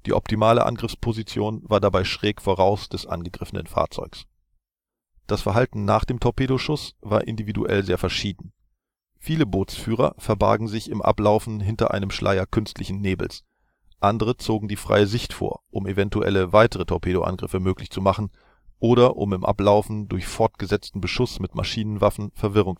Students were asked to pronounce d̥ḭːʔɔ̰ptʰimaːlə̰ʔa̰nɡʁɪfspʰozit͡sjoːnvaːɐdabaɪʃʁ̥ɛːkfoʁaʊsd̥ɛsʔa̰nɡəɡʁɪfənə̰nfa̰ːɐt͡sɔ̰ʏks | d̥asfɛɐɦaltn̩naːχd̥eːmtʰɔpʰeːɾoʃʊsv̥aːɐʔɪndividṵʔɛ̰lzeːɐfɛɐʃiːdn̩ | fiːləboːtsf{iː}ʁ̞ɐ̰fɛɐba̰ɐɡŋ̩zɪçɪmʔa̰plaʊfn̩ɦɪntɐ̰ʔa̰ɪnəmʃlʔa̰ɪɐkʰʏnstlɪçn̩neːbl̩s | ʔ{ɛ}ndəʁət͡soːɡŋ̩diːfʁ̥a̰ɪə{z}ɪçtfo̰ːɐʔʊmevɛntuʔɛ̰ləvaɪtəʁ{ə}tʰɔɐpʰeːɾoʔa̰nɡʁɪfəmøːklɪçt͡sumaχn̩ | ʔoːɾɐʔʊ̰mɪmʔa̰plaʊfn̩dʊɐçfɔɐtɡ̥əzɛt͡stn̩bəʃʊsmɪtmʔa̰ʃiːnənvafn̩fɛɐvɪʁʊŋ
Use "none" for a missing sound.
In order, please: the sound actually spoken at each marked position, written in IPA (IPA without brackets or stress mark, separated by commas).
yː, a, z, ə